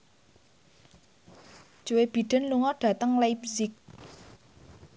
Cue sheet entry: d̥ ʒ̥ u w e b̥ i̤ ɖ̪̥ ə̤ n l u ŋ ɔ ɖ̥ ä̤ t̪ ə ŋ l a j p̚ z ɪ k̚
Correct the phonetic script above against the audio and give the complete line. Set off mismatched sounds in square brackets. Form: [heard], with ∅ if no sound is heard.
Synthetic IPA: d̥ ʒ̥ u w e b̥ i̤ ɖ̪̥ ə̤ n l u ŋ ɔ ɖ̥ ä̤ t̪ ə ŋ l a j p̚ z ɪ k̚